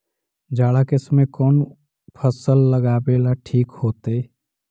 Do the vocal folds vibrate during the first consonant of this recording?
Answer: yes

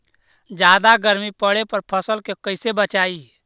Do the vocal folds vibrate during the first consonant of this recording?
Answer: yes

